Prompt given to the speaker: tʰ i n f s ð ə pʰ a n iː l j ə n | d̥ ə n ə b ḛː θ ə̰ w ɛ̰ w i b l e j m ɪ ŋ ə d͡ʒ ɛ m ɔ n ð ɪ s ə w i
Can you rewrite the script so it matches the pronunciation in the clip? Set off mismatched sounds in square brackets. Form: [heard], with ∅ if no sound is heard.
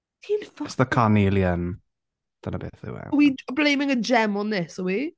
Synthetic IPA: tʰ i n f s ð ə [kʰ] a n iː l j ə n | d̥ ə n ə b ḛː θ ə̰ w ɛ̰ w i b l e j m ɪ ŋ ə d͡ʒ ɛ m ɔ n ð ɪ s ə w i